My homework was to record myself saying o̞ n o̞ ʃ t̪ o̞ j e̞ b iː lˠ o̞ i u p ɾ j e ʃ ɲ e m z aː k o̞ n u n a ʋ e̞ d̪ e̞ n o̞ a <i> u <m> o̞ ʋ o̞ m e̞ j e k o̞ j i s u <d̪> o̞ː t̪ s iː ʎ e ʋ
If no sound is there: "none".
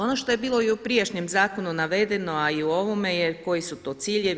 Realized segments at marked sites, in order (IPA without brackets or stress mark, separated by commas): i, none, t̪